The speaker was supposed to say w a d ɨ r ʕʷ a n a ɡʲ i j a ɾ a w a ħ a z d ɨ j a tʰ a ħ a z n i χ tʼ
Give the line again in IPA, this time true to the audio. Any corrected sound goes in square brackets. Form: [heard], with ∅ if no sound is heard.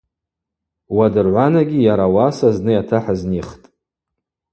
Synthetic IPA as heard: w a d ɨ r ʕʷ a n a ɡʲ i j a ɾ a w a [s] a z [n] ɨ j a tʰ a ħ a z n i χ tʼ